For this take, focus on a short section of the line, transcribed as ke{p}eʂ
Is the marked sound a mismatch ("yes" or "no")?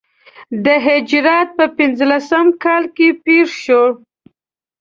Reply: no